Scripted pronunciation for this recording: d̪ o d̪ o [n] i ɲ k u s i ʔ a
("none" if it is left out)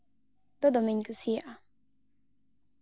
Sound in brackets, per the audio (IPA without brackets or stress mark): m